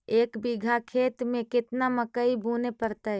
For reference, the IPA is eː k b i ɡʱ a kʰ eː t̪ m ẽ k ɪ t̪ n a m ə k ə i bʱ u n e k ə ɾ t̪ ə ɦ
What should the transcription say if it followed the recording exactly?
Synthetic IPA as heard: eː k b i ɡʱ a kʰ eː t̪ m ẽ k ɪ t̪ n a m ə k ə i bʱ u n e p ə ɾ t̪ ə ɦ